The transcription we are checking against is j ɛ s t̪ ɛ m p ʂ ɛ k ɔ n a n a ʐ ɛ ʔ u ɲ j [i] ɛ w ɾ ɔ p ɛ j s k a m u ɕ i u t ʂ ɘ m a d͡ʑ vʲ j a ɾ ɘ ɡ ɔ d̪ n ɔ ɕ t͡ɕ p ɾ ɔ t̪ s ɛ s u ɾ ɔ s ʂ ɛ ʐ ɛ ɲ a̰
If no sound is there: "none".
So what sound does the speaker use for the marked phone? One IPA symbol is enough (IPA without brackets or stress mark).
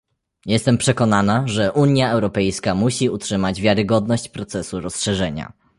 a